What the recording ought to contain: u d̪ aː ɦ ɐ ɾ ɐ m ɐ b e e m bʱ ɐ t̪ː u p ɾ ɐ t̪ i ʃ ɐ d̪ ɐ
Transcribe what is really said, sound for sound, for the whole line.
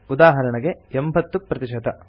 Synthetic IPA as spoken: u d̪ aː ɦ ɐ ɾ ɐ ɳ ɐ ɡ e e m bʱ ɐ t̪ː u p ɾ ɐ t̪ i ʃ ɐ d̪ ɐ